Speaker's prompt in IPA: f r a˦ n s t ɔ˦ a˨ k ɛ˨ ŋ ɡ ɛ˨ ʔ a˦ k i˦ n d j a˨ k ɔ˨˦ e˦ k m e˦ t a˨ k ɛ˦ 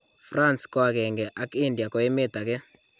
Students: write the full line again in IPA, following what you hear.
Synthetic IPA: f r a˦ n s k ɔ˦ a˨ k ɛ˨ ŋ ɡ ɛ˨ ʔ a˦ k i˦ n d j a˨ k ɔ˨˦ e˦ m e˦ t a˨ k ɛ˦